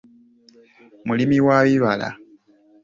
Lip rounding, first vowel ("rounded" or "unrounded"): rounded